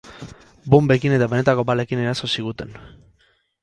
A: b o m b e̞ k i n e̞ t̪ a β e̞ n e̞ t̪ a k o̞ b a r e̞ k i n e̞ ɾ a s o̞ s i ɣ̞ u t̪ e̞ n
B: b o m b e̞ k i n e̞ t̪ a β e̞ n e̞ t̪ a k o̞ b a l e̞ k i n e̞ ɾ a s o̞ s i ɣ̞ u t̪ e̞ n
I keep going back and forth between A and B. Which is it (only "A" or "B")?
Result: B